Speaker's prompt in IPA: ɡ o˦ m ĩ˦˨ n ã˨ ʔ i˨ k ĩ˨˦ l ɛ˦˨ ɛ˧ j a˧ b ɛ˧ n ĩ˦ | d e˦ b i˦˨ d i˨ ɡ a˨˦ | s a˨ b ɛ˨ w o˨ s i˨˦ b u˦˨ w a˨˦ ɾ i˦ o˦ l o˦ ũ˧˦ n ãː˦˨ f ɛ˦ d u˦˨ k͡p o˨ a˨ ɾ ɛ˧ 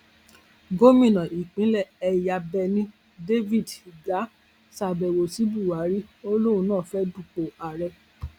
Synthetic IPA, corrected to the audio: ɡ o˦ m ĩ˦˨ n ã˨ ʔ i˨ k͡p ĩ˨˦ l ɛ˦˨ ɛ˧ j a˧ b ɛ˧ n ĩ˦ | d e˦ v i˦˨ d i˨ ɡ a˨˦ | s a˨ b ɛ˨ w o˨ s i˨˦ b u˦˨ w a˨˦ ɾ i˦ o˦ l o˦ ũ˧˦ n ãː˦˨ f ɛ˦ d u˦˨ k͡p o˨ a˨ ɾ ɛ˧